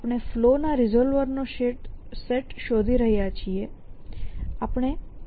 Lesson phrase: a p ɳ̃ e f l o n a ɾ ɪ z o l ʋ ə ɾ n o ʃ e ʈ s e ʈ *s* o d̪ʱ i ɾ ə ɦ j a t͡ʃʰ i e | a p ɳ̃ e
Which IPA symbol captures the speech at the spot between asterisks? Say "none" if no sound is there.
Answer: ʃ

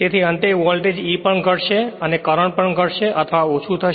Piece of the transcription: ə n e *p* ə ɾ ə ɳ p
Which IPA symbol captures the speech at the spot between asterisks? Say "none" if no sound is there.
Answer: k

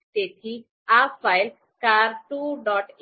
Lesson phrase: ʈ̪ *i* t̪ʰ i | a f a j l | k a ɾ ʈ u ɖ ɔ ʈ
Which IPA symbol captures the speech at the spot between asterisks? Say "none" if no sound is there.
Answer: e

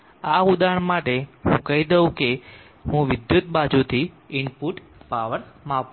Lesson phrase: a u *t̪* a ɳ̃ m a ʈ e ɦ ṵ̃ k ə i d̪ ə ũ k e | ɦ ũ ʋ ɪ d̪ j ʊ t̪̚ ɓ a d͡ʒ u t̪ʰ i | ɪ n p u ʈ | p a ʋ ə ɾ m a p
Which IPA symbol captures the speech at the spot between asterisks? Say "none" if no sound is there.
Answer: d̪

